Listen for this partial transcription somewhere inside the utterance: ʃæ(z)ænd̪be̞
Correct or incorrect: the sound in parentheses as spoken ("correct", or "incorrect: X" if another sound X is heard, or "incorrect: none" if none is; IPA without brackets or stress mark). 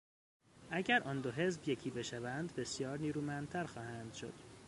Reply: incorrect: v